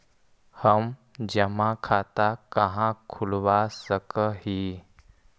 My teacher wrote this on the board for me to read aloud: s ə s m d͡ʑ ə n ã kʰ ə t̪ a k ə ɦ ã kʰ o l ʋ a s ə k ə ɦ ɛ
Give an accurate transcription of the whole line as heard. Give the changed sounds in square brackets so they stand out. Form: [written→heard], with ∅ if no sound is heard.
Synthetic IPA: [s→h] ə [s→∅] m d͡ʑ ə [n→m] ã kʰ [ə→a] t̪ a k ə ɦ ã kʰ [o→u] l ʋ a s ə k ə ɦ [ɛ→i]